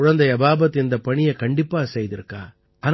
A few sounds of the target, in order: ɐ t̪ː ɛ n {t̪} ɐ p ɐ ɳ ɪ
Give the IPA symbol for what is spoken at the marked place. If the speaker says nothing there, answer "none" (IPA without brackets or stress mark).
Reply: d̪